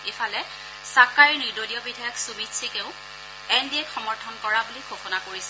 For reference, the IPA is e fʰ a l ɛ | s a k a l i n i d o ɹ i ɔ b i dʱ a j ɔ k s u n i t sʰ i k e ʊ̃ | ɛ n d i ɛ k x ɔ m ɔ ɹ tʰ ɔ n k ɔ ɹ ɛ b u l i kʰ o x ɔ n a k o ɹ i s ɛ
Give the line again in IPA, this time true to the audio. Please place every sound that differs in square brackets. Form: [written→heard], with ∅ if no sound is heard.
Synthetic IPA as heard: e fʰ a l ɛ | s a k a [l→ɹ] i n i d o [ɹ→l] i ɔ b i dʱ a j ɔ k s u [n→m] i t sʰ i k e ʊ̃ | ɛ n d i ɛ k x ɔ m ɔ ɹ tʰ ɔ n k ɔ ɹ [ɛ→a] b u l i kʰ o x ɔ n a k o ɹ i s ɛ